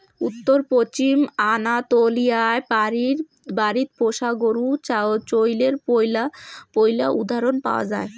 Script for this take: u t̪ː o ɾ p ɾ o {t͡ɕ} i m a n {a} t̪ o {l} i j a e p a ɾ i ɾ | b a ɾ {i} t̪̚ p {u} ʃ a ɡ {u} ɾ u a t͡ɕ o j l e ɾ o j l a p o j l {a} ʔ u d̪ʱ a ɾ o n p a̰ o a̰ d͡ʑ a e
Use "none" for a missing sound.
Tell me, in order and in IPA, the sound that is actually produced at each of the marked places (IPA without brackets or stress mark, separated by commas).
t͡ɕ, a, l, i, o, o, a